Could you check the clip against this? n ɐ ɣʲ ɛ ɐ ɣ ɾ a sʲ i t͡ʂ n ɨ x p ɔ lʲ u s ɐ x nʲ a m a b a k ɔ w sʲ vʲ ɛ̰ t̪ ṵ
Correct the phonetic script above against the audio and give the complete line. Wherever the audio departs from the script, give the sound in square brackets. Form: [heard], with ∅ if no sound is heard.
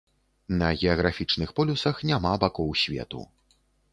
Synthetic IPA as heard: n ɐ ɣʲ ɛ ɐ ɣ ɾ a [fʲ] i t͡ʂ n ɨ x p ɔ lʲ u s ɐ x nʲ a m a b a k ɔ w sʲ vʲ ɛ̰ t̪ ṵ